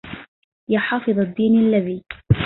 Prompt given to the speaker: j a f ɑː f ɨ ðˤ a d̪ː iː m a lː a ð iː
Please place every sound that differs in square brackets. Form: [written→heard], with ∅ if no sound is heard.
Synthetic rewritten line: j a [f→ħ] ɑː f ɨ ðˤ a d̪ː iː [m→n] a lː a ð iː

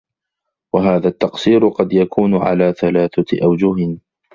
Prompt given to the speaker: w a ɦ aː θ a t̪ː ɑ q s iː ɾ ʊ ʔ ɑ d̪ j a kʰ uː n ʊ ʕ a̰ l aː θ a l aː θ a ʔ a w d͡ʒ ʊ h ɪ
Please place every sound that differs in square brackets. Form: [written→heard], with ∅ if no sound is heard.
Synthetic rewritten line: w a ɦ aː [θ→ð] a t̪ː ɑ q s iː ɾ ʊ [ʔ→q] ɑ d̪ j a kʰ uː n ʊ ʕ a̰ l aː θ a l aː θ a ʔ a w d͡ʒ ʊ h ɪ

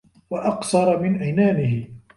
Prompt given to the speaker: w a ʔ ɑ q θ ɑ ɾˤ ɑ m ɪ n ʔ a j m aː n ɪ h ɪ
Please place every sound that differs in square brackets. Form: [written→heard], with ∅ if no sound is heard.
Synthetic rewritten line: w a ʔ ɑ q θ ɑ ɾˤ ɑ m ɪ n ʔ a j [m→n] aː n ɪ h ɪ

